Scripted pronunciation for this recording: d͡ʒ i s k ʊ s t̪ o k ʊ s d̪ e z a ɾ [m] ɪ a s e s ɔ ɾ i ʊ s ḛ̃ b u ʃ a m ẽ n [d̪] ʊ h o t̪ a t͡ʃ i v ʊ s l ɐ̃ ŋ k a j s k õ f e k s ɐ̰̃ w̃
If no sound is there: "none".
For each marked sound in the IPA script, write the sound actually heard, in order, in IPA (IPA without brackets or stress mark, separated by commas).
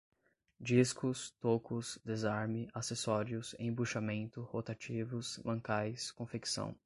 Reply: m, t̪